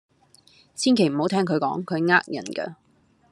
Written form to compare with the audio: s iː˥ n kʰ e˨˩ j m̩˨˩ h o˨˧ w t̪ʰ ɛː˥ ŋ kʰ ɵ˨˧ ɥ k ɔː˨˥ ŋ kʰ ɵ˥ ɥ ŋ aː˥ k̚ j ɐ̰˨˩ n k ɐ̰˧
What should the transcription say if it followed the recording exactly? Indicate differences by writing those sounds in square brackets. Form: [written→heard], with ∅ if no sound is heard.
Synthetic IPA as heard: s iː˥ n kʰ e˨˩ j m̩˨˩ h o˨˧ w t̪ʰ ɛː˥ ŋ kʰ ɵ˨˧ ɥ k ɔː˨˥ ŋ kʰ [ɵ˥→ɵ˨˧] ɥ ŋ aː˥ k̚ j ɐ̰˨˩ n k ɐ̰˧